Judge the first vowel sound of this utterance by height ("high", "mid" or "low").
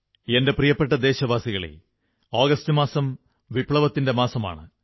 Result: mid